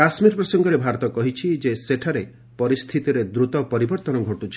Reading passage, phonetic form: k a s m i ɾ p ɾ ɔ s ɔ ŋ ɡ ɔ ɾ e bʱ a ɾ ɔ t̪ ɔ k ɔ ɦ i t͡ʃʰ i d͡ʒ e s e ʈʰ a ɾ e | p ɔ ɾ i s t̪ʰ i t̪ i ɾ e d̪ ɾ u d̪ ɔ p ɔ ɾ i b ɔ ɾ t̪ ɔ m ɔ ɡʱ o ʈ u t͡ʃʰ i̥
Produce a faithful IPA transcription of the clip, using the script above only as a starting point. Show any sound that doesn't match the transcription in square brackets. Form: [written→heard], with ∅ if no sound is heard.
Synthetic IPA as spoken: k a s m i ɾ p ɾ ɔ s ɔ ŋ ɡ ɔ ɾ e bʱ a ɾ ɔ t̪ ɔ k ɔ ɦ i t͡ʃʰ i d͡ʒ e s e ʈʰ a ɾ e | p ɔ ɾ i s t̪ʰ i t̪ i ɾ e d̪ ɾ u [d̪→t̪] ɔ p ɔ ɾ i b ɔ ɾ t̪ ɔ [m→n] ɔ ɡʱ o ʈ u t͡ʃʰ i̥